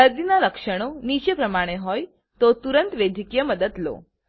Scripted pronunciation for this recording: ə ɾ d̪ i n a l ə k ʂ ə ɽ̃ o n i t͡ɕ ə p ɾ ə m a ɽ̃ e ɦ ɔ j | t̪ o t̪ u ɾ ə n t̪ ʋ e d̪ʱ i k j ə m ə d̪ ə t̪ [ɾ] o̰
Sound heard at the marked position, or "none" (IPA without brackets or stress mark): l